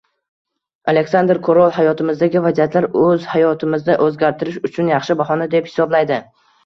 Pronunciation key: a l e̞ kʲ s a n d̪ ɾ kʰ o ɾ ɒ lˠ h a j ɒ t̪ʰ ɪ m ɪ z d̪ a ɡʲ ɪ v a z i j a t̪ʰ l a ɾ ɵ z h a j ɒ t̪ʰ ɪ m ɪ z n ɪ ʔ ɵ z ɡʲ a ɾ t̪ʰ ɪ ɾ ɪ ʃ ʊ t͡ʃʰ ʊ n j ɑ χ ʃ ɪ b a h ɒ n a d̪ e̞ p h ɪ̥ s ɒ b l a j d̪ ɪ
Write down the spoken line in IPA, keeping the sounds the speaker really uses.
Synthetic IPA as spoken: a l e̞ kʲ s a n d̪ ɾ kʰ o ɾ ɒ lˠ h a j ɒ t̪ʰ ɪ m ɪ z d̪ a ɡʲ ɪ v a z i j a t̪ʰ l a ɾ ɵ z h a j ɒ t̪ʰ ɪ m ɪ z n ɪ ʔ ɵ z ɡʲ a ɾ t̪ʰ ɪ ɾ ɪ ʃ ʊ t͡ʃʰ ʊ n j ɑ χ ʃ ɪ b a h ɒ n a d̪ e̞ p h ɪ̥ s ɒ b l a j d̪ ɪ